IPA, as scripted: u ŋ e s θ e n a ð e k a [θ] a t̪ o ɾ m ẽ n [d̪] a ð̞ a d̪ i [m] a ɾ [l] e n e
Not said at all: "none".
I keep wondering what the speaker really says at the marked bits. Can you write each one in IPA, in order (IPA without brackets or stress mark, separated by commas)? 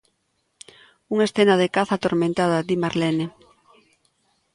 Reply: θ, t̪, m, l